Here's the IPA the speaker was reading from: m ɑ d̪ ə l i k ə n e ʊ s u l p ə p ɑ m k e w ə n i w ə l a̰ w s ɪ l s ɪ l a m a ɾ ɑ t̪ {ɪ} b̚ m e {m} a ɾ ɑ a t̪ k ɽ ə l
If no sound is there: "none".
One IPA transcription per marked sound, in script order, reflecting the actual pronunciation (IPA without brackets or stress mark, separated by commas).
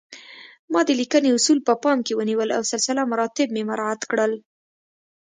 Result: ɪ, m